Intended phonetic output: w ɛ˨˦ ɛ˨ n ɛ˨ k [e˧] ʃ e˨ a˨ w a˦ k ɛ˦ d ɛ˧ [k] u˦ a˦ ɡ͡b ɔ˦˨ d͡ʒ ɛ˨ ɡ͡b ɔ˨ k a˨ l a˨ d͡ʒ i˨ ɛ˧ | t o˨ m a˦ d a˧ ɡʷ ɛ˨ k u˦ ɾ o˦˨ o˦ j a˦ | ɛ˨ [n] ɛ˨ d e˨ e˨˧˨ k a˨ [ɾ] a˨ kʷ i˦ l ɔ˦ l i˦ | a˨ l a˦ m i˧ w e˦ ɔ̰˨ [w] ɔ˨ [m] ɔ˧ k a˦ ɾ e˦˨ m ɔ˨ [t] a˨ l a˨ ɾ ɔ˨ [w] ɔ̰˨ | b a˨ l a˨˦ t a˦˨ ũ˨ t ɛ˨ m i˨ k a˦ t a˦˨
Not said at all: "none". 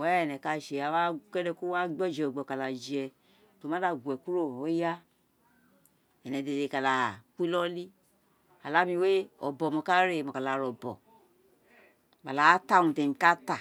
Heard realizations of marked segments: a˧, k, n, l, b, m, k, b

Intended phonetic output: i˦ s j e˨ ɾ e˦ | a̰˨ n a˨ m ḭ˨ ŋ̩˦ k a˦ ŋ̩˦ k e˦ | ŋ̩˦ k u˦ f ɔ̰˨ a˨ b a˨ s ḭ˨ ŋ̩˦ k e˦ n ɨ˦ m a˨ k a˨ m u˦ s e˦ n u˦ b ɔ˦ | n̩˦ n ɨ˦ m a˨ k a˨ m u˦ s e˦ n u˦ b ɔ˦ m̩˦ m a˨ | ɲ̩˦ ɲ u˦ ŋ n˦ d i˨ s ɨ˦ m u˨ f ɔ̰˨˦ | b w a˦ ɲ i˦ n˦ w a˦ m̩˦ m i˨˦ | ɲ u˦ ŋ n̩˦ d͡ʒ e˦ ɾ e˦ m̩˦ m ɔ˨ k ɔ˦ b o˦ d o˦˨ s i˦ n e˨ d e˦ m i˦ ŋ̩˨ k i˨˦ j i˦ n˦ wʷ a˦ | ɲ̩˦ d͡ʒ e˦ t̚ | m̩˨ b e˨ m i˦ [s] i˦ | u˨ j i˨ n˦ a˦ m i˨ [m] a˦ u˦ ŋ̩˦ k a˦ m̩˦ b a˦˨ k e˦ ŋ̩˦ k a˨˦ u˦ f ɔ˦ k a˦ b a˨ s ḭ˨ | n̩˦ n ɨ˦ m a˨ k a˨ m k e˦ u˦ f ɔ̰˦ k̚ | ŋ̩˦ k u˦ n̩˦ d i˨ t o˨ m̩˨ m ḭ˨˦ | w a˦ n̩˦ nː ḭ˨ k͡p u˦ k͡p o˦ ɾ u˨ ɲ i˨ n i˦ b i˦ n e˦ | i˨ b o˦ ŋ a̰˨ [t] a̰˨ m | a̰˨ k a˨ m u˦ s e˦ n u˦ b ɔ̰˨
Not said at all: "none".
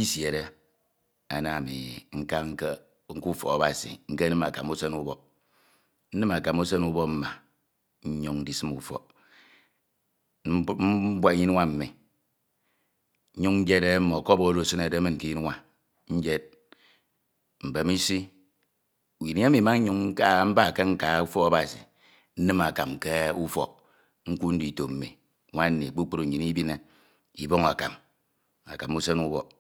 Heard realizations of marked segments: s, m, k

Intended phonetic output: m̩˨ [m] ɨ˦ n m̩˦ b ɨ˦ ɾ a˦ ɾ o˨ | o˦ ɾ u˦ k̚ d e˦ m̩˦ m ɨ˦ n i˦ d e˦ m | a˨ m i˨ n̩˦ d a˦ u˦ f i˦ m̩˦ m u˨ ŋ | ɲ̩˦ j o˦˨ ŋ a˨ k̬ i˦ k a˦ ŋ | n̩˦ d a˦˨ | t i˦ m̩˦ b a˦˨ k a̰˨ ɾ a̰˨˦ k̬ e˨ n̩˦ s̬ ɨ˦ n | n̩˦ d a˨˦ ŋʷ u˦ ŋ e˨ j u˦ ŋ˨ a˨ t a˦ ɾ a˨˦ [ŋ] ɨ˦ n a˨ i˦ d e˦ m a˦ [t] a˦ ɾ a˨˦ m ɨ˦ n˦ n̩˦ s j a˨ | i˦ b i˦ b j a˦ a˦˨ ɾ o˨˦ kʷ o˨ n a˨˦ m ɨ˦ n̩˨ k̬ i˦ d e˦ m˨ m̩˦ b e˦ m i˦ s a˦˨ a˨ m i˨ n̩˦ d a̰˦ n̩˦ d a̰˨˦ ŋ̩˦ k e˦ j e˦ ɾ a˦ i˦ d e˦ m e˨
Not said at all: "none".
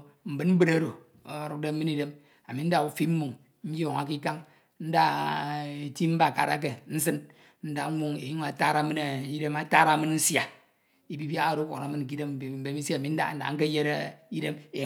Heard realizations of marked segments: b, m, t

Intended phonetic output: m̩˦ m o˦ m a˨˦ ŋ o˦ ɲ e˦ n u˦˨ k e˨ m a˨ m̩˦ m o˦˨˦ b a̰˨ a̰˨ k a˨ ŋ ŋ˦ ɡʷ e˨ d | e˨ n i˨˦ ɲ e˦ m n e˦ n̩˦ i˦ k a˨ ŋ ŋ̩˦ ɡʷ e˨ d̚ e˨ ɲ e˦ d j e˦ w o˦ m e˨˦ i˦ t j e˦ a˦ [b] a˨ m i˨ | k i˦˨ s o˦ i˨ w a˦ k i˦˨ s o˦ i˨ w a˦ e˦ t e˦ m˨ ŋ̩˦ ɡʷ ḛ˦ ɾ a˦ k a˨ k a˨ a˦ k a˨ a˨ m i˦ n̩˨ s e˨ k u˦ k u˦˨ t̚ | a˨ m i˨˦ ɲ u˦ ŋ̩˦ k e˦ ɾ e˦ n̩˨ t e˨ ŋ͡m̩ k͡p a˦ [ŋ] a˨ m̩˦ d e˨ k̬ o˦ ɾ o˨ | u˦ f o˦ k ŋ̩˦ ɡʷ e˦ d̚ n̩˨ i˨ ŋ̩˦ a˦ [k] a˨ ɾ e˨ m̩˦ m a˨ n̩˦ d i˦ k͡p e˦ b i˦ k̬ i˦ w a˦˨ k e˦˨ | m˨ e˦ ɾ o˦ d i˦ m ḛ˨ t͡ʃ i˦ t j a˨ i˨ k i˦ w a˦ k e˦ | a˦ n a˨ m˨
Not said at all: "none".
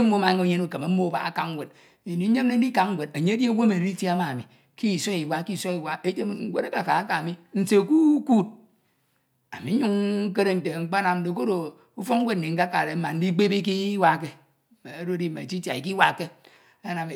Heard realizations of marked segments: m, n, k

